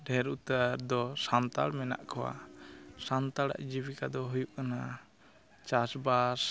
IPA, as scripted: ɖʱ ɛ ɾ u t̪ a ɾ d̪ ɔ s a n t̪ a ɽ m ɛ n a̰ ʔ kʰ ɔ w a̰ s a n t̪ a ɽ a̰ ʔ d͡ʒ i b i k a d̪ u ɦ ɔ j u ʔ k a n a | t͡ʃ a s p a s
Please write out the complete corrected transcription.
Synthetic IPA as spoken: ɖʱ ɛ ɾ u t̪ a ɾ d̪ ɔ s a n t̪ a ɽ m ɛ n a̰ ʔ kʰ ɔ w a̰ s a n t̪ a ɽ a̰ ʔ d͡ʒ i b i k a d̪ ɔ ɦ u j u ʔ k a n a | t͡ʃ a s b a s